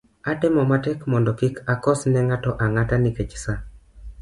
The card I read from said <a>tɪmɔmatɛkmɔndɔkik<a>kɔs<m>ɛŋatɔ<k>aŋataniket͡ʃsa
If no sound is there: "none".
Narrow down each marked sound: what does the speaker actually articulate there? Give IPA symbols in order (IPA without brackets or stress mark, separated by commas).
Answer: a, a, n, ʔ